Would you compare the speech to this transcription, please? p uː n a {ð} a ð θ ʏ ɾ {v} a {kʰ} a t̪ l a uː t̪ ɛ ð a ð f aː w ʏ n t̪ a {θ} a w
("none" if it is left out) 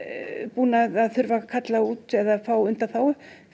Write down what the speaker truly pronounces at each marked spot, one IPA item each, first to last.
ð, v, kʰ, θ

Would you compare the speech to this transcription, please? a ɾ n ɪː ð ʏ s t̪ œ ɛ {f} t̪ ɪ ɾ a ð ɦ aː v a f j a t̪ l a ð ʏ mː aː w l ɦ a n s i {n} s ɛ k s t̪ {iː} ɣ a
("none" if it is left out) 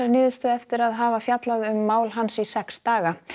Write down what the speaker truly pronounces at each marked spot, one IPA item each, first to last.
f, none, aː

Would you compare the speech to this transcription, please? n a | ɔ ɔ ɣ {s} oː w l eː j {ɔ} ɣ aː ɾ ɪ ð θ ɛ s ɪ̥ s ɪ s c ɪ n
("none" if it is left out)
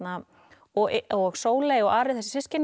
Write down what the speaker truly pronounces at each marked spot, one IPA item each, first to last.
s, ɔ

